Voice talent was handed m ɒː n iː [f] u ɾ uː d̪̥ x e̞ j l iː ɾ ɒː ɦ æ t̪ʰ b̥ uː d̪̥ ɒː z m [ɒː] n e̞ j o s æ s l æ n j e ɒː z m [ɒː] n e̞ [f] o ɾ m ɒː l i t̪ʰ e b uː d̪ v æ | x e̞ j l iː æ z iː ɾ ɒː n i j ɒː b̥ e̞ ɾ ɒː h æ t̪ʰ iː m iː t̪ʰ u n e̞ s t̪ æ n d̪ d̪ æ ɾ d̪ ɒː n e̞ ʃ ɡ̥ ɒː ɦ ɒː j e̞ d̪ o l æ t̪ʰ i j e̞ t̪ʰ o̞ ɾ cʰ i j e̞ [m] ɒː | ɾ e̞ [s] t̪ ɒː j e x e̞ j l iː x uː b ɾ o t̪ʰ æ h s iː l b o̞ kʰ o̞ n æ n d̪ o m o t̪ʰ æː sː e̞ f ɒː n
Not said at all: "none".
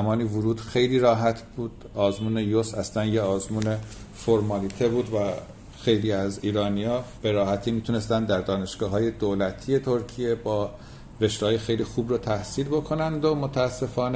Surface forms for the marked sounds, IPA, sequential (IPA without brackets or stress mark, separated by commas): v, uː, uː, f, b, ʃ